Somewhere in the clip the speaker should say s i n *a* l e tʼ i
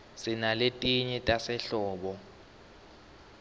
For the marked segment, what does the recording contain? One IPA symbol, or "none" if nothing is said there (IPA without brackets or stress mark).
a